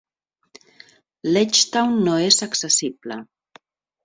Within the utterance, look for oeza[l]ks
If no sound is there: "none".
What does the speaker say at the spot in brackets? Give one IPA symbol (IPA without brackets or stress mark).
none